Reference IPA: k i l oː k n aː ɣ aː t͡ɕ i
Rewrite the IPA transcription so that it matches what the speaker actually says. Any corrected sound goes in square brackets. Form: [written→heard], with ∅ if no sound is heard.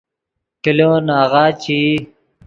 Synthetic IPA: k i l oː [k→∅] n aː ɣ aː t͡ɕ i